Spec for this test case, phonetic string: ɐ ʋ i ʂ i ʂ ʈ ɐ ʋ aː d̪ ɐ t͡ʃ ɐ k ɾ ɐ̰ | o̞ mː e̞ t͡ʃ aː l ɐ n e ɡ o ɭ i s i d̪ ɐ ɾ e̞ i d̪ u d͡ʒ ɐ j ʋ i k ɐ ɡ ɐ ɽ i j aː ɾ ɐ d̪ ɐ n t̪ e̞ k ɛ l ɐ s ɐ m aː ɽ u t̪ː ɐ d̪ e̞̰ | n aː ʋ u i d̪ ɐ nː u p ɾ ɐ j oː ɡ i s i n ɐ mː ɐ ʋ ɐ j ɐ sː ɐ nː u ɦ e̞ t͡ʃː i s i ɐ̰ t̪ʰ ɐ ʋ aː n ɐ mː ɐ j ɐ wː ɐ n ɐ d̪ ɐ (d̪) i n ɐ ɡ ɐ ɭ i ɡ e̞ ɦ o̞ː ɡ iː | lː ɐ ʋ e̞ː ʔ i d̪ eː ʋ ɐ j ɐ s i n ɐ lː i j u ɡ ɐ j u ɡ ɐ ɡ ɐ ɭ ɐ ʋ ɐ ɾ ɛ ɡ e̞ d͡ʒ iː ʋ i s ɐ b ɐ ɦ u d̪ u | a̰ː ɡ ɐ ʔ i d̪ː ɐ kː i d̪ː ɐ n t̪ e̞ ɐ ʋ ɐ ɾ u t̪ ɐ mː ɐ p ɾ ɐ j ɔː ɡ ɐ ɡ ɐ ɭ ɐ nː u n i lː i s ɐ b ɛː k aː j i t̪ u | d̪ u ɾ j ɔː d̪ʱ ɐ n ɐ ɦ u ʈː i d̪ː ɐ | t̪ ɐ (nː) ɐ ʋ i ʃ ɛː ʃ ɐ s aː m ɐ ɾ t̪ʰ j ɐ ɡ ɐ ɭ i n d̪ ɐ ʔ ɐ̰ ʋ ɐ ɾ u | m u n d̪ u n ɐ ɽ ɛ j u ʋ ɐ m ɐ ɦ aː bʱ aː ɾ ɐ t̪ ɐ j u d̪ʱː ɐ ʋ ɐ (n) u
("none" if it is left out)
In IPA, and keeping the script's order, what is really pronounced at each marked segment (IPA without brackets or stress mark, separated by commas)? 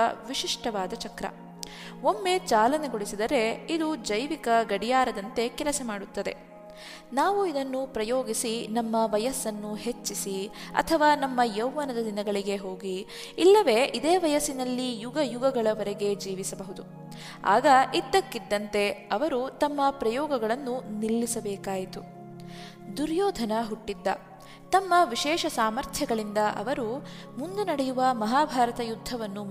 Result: d̪, mː, nː